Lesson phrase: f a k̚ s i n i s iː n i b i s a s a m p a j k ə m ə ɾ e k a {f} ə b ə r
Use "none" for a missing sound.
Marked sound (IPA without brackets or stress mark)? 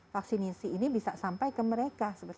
s